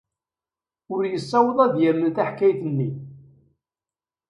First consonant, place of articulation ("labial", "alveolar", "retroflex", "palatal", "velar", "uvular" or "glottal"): alveolar